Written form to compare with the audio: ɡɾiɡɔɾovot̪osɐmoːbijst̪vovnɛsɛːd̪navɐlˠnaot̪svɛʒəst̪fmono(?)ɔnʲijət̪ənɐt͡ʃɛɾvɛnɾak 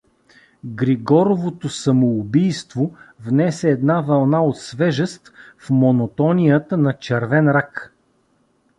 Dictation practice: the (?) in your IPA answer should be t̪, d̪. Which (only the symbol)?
t̪